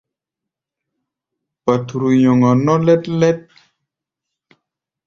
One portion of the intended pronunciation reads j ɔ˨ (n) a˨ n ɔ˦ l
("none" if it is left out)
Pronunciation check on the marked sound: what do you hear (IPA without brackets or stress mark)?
ŋ